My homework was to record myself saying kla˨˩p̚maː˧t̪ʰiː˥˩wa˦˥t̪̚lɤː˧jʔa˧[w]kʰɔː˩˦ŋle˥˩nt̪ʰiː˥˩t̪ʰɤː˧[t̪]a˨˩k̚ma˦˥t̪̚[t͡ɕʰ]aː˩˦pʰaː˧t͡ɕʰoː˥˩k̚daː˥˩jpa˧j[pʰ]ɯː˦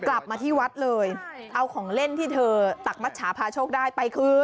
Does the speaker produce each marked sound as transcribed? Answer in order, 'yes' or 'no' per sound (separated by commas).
yes, yes, yes, no